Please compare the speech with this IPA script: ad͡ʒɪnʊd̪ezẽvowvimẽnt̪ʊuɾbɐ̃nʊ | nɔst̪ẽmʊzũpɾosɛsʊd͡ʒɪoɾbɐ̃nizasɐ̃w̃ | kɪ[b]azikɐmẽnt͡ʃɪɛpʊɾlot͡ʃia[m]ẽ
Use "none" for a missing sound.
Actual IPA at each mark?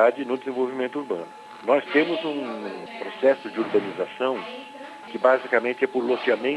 b, m

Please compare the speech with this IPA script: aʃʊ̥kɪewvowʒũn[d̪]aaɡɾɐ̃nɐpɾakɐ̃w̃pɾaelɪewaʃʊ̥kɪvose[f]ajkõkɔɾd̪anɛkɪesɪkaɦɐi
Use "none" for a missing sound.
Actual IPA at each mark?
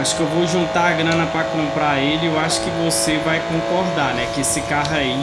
t̪, v

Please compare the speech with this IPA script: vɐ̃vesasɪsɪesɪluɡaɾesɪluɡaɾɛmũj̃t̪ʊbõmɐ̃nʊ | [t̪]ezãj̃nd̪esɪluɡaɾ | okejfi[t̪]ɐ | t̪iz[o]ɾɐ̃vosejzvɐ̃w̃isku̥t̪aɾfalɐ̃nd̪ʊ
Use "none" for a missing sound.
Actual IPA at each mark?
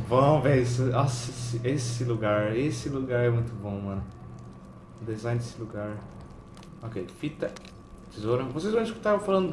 d̪, t̪, o

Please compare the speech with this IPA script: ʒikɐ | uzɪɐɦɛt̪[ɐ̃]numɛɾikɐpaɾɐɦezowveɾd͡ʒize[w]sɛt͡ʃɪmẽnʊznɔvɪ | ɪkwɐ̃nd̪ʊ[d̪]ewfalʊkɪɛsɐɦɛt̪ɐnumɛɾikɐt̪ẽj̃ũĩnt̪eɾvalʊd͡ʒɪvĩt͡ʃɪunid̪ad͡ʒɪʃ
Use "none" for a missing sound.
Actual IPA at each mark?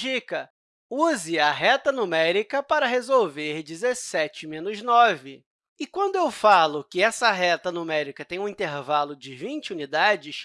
ɐ, none, none

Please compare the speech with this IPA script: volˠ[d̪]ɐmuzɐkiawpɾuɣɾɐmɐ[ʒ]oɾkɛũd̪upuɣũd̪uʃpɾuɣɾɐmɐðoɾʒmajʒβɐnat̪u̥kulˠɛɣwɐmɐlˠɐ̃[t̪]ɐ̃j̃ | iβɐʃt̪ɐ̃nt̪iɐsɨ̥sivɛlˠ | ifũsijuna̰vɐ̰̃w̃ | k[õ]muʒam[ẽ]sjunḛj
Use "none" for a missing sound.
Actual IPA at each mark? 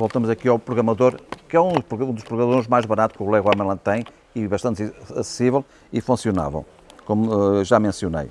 t̪, ð, t̪, o, ẽ

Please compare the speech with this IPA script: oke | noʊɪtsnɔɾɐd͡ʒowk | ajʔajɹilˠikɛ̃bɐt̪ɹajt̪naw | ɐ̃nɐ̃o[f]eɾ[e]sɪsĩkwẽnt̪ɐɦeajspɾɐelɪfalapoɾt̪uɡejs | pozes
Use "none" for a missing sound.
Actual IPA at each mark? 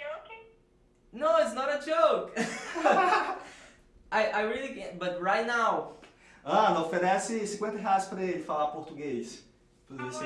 f, ɛ

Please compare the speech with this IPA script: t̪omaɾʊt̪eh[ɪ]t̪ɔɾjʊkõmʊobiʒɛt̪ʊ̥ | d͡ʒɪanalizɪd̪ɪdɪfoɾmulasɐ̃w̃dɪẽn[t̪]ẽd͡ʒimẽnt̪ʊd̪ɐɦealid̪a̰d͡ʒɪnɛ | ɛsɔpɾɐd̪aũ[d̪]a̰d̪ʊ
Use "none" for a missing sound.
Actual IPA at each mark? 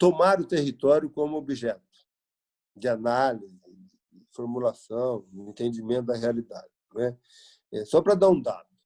i, t̪, d̪

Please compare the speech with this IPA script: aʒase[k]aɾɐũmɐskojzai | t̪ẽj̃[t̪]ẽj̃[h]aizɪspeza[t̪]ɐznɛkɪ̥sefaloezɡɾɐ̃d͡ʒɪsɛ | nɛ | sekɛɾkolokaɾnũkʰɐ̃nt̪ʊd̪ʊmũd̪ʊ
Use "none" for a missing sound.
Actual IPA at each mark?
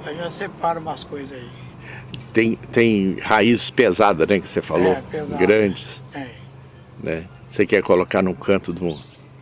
p, t̪, h, d̪

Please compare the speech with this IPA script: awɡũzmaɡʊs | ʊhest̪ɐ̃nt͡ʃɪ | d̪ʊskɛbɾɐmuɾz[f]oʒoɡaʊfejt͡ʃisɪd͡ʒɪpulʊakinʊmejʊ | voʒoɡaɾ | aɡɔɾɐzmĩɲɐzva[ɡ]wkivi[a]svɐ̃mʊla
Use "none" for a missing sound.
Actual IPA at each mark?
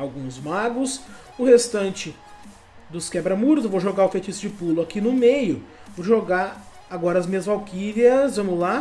v, none, ɐ

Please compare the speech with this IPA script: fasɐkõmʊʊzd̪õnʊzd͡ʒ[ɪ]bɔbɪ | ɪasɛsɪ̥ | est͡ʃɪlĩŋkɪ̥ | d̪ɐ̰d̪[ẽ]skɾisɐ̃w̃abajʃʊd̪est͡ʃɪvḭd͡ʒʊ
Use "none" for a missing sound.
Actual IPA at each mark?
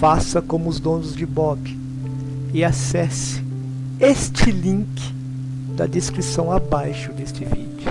ɪ, e

